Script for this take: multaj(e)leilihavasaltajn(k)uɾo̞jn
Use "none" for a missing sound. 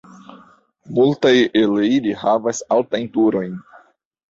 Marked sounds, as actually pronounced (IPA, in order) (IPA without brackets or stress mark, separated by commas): e, t